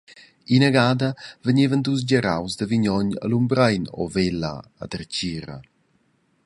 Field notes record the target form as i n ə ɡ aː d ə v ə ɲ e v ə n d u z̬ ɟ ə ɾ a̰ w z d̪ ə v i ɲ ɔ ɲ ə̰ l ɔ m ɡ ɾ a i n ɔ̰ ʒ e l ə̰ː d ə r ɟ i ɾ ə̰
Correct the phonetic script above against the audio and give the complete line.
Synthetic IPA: i n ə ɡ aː d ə v ə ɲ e v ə n d u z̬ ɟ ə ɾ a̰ w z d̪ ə v i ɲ ɔ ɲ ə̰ l u m b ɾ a j n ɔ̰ v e l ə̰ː d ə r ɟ i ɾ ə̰